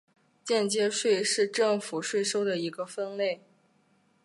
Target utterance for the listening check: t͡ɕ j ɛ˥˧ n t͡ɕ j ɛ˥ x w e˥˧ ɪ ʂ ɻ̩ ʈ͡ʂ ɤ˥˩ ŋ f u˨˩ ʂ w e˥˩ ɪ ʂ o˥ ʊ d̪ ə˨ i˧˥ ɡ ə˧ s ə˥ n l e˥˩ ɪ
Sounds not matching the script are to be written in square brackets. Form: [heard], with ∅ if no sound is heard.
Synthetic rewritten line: t͡ɕ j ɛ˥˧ n t͡ɕ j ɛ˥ [ʂ] w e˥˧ ɪ ʂ ɻ̩ ʈ͡ʂ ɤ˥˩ ŋ f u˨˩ ʂ w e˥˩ ɪ ʂ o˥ ʊ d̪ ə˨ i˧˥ ɡ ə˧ [f] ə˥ n l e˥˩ ɪ